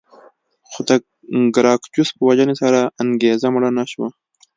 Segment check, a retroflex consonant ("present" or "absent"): present